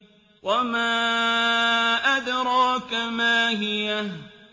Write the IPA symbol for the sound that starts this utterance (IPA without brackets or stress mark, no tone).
w